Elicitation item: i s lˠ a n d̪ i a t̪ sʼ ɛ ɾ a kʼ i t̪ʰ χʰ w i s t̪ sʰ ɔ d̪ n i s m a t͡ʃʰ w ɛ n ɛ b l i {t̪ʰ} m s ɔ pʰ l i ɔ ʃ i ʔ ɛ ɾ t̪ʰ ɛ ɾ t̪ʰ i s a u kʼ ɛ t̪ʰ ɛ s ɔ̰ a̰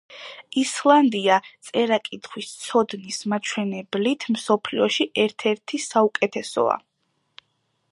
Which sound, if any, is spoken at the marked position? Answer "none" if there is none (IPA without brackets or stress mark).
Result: t̪ʰ